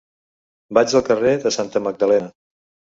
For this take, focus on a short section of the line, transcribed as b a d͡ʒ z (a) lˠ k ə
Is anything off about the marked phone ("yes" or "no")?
yes